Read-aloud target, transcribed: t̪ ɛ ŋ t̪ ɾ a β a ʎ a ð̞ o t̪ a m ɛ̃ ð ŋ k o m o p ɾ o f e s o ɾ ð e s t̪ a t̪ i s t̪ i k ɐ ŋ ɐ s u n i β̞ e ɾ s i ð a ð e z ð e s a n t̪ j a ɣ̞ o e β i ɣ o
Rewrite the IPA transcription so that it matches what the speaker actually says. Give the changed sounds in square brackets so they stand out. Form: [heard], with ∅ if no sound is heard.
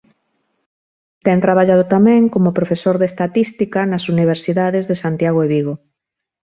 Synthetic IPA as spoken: t̪ ɛ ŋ t̪ ɾ a β a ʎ a ð̞ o t̪ a m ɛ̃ [∅] ŋ k o m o p ɾ o f e s o ɾ ð e s t̪ a t̪ i s t̪ i k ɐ [n] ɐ s u n i β̞ e ɾ s i ð a ð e z ð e s a n t̪ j a ɣ̞ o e β i ɣ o